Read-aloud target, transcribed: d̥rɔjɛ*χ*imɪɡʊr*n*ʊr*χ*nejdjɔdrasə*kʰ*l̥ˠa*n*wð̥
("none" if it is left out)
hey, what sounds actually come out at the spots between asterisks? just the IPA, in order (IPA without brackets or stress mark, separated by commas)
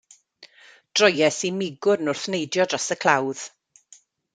s, n, θ, kʰ, none